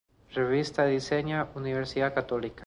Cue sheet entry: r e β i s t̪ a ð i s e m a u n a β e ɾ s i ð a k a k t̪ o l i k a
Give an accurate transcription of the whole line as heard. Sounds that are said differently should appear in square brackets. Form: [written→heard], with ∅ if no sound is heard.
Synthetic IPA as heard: r e β i s t̪ a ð i s e [m→ɲ] a u n [a→i] β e ɾ s i ð a k a [k→∅] t̪ o l i k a